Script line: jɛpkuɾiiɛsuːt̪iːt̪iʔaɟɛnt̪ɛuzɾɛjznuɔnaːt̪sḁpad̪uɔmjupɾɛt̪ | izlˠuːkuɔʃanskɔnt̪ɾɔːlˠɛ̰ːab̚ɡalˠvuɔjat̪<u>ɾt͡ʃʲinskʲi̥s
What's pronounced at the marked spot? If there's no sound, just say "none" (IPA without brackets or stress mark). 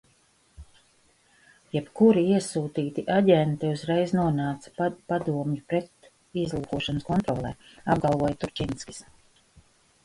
u